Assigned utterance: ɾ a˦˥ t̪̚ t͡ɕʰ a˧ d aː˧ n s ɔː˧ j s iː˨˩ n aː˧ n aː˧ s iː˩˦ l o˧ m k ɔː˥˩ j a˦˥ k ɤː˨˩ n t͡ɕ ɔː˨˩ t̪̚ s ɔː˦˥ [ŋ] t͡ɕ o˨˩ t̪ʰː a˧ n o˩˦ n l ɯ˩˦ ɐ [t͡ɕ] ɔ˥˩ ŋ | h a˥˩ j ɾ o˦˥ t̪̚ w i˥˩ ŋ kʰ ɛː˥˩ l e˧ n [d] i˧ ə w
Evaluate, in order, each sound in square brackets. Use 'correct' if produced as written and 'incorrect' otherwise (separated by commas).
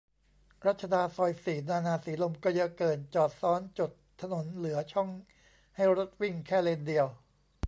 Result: incorrect, incorrect, correct